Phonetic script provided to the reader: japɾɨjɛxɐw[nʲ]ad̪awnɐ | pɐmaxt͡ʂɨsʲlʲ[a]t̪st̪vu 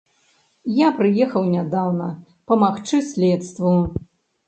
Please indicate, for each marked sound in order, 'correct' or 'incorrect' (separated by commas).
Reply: correct, incorrect